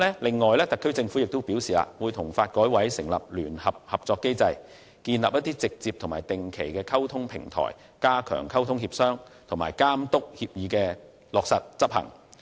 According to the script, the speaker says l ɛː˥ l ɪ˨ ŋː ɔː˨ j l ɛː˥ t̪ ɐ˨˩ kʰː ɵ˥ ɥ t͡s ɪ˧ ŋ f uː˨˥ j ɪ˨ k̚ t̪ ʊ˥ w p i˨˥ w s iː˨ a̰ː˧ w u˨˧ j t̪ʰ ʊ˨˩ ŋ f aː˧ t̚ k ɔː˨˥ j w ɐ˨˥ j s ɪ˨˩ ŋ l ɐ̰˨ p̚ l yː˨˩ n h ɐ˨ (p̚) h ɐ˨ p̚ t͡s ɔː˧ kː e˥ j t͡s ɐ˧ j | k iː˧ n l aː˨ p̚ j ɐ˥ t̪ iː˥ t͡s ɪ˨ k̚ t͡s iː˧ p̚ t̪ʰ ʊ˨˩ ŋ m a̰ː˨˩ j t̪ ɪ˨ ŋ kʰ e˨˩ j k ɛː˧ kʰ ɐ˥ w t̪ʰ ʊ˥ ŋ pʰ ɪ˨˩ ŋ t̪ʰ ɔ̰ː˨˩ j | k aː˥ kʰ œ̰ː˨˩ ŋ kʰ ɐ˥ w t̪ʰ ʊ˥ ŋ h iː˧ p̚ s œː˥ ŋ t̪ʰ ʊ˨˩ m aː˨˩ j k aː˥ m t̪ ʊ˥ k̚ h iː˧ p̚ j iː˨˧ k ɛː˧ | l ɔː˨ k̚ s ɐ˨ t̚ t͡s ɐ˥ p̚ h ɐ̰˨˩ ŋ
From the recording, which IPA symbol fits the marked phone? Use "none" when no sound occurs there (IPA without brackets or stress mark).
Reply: p̚